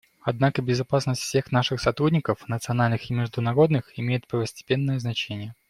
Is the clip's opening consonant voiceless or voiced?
voiced